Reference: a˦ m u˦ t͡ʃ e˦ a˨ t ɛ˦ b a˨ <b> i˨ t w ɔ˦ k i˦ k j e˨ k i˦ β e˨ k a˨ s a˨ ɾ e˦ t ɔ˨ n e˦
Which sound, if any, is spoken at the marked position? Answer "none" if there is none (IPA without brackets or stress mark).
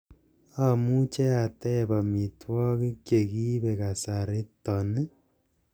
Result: m